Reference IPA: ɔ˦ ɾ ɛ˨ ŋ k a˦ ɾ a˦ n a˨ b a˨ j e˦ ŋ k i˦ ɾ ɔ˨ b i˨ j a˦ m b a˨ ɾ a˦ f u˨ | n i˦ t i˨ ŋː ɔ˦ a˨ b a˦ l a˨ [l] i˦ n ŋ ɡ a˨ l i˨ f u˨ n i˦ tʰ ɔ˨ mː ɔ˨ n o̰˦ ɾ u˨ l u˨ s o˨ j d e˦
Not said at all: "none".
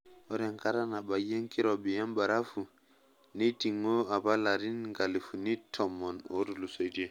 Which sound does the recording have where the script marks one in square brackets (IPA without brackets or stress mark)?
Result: ɾ